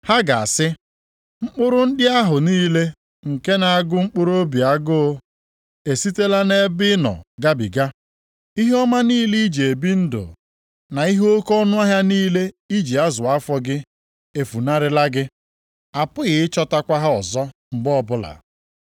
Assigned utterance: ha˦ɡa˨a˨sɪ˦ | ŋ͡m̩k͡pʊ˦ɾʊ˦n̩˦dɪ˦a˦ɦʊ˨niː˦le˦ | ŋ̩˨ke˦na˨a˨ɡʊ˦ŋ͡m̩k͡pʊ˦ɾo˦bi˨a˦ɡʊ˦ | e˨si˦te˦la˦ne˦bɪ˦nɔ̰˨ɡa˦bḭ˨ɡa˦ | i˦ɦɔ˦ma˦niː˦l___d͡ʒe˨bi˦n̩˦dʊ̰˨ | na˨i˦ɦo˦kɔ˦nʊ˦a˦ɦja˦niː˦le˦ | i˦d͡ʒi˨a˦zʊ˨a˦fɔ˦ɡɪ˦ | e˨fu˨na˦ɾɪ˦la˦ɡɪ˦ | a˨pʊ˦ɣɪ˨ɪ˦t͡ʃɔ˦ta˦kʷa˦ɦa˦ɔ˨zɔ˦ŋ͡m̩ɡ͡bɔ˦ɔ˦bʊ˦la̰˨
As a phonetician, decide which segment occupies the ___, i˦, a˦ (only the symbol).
i˦